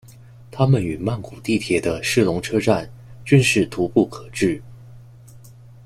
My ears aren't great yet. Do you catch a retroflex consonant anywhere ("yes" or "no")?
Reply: yes